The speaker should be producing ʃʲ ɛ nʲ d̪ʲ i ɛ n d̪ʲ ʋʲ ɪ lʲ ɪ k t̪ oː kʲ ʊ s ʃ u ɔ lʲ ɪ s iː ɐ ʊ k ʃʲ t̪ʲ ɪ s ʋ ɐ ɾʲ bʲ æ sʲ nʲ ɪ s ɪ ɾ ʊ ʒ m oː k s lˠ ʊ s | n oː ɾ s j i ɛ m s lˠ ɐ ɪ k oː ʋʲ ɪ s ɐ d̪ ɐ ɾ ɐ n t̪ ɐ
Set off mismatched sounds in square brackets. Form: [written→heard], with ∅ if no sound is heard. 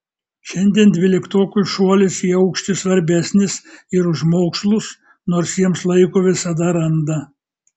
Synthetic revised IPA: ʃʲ ɛ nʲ d̪ʲ i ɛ n d̪ʲ ʋʲ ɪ lʲ ɪ k t̪ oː kʲ ʊ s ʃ u ɔ lʲ ɪ s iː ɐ ʊ k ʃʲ t̪ʲ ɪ s ʋ ɐ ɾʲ bʲ æ sʲ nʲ ɪ s ɪ ɾ ʊ ʒ m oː k s lˠ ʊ s | n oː ɾ s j i ɛ m s lˠ ɐ ɪ k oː ʋʲ ɪ s ɐ d̪ ɐ ɾ ɐ n [t̪→d̪] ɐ